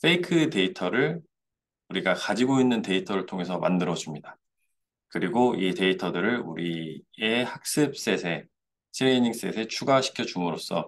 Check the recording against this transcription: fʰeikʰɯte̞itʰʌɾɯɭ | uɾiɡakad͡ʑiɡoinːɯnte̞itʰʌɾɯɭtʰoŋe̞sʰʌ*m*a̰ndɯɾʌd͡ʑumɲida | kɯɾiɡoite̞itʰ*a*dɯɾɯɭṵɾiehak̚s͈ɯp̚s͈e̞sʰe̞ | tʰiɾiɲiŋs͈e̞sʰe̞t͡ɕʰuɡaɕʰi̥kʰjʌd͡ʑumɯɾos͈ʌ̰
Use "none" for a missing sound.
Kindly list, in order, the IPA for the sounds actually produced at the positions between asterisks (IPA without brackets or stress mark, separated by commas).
m, ʌ